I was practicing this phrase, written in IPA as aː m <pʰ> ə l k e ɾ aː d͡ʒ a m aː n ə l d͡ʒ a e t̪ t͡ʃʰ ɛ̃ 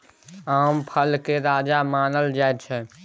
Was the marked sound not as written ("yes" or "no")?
no